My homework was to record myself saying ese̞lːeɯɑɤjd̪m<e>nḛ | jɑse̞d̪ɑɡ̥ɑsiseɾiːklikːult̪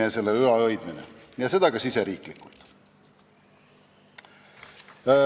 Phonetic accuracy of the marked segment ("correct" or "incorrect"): incorrect